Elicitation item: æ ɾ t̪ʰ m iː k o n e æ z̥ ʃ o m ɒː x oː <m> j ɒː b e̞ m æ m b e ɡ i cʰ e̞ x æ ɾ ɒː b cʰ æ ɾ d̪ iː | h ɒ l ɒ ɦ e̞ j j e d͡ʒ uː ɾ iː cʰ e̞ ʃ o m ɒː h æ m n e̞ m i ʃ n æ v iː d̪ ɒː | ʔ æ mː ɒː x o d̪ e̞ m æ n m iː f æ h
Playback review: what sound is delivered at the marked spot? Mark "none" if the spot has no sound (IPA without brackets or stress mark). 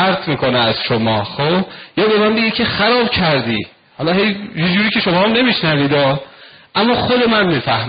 b